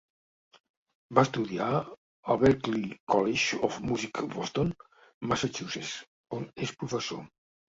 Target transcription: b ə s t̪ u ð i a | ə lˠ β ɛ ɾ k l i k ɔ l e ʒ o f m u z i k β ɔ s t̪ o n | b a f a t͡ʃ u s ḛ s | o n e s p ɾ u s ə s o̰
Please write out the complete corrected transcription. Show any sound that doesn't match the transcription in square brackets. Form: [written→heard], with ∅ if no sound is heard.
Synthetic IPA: b [ə→a] s t̪ u ð i a | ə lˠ β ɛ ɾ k l i k ɔ l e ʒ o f m u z i k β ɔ s t̪ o n | [b→m] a [f→s] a t͡ʃ u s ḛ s | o n e s p ɾ u [s→f] ə s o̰